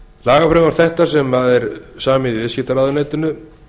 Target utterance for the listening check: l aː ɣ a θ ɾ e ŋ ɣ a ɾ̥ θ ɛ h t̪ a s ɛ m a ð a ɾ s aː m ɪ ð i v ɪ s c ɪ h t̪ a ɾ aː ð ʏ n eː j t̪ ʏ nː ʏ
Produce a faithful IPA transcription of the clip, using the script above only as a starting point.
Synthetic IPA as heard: l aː ɣ a f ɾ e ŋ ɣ a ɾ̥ θ ɛ h t̪ a s ɛ m a ð ɛ ɾ s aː m ɪ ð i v ɪ s c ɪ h t̪ a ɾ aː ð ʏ n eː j t̪ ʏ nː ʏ